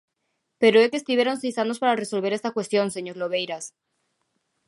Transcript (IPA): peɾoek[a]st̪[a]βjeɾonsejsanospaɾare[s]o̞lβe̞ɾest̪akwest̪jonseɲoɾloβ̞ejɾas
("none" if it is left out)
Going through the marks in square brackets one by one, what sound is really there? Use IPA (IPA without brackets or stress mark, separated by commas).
e, i, s